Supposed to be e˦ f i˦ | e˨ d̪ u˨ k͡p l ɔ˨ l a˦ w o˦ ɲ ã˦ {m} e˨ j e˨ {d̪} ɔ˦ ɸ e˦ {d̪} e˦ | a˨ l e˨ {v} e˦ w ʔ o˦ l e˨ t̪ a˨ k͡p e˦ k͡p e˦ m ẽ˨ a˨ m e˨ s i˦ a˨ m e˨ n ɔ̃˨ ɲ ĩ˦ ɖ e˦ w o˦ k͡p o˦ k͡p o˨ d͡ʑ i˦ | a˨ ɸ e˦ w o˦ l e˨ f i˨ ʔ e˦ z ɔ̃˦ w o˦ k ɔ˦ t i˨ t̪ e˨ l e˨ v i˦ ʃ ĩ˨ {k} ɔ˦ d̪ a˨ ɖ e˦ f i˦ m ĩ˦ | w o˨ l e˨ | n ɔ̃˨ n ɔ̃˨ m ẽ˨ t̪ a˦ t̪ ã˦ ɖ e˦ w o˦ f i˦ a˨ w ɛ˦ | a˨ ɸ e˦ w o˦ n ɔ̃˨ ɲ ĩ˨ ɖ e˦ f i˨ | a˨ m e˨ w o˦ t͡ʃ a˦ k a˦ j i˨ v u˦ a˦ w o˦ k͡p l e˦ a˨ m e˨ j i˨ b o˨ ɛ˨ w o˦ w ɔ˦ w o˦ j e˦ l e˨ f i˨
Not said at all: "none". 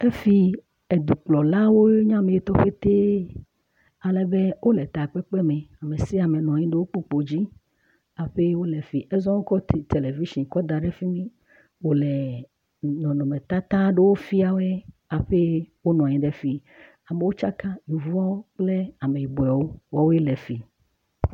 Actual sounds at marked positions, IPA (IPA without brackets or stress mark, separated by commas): m, t̪, t̪, b, k